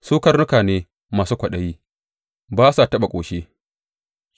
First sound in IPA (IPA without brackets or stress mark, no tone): s